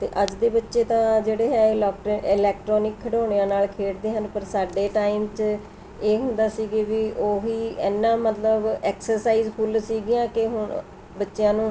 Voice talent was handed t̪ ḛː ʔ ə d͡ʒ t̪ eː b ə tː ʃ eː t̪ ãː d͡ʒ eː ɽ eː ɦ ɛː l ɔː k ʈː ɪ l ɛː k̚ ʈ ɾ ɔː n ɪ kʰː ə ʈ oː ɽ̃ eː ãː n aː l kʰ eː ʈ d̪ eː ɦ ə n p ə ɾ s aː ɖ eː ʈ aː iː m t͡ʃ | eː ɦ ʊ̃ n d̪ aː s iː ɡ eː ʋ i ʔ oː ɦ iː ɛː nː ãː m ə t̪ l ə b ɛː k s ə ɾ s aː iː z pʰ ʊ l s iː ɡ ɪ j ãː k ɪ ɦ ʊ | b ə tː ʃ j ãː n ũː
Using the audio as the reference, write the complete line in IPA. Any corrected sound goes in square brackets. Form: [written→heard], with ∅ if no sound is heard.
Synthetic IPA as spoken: t̪ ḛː ʔ ə d͡ʒ [t̪→d̪] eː b ə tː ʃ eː t̪ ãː d͡ʒ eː ɽ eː ɦ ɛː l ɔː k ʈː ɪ l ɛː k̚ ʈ ɾ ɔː n ɪ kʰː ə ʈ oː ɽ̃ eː ãː n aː l kʰ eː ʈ d̪ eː ɦ ə n p ə ɾ s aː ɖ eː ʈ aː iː m t͡ʃ | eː ɦ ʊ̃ n d̪ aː s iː ɡ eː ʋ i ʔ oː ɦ iː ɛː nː ãː m ə t̪ l ə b ɛː k s ə ɾ s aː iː z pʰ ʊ l s iː ɡ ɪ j ãː k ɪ ɦ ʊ | b ə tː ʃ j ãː n ũː